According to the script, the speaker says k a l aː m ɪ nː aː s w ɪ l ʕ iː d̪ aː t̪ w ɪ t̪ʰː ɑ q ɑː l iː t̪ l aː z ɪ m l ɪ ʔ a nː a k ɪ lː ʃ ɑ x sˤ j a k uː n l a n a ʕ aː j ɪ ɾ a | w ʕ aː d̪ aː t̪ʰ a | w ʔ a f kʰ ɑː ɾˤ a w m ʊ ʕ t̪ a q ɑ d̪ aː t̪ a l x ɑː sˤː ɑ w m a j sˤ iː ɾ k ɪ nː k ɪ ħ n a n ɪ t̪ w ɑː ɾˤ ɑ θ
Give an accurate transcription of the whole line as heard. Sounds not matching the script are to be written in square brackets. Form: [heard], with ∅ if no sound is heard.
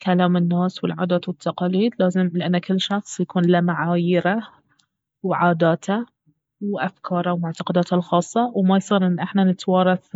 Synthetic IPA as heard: k a l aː m ɪ nː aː s w ɪ l ʕ [aː] d̪ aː t̪ w ɪ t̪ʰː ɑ q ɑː l iː [d̪] l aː z ɪ m l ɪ ʔ a nː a k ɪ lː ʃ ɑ x sˤ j a k uː n l a [m] a ʕ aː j ɪ ɾ a | w ʕ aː d̪ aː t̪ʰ a | w ʔ a f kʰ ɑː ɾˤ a w m ʊ ʕ t̪ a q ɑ d̪ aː t̪ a l x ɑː sˤː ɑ w m a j sˤ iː ɾ [ʔ] ɪ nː [ʔ] ɪ ħ n a n ɪ t̪ w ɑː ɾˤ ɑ θ